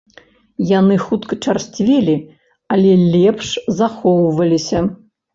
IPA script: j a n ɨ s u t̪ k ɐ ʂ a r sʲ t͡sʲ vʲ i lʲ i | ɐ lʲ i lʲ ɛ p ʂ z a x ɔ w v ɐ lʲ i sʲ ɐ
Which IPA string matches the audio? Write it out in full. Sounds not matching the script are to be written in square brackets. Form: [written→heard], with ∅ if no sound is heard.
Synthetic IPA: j a n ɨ [s→x] u t̪ k ɐ [ʂ→t͡ʂ] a r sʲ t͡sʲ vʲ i lʲ i | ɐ lʲ [i→ɛ] lʲ ɛ p ʂ z a x ɔ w v ɐ lʲ i sʲ ɐ